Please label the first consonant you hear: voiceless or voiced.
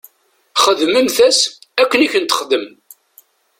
voiceless